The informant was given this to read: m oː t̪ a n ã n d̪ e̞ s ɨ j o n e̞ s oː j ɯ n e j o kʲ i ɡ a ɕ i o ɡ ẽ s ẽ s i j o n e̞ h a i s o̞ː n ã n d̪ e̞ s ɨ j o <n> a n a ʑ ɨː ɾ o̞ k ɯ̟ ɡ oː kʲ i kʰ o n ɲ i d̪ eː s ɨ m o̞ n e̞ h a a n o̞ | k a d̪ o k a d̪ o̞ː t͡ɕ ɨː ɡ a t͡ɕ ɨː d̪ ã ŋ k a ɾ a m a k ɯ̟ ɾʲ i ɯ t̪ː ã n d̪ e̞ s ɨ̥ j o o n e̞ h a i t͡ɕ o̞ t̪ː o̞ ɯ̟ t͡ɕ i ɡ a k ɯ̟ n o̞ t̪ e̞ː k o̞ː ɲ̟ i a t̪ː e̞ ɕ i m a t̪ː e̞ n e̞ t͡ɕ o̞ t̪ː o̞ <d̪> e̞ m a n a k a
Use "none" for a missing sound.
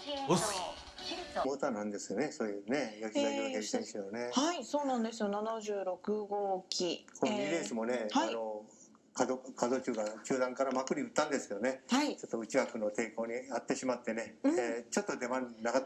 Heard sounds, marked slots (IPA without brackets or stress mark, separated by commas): n, d̪